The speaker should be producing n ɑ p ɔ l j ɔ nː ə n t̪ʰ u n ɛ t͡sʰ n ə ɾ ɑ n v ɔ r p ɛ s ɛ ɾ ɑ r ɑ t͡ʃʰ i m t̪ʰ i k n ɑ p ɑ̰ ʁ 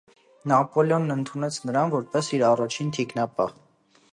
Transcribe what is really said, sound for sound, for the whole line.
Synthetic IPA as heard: n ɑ p ɔ l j ɔ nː ə n t̪ʰ u n ɛ t͡sʰ n ə ɾ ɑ n v ɔ ɾ p ɛ s i ɾ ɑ r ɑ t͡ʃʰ i n t̪ʰ i k n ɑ p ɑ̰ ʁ